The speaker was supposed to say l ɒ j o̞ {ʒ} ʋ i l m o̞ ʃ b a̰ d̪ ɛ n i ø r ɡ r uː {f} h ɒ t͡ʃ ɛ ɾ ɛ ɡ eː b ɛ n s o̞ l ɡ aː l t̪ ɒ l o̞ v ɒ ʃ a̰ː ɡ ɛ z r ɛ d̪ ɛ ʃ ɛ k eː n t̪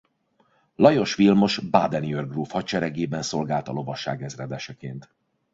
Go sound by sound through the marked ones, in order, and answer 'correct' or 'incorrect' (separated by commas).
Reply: incorrect, correct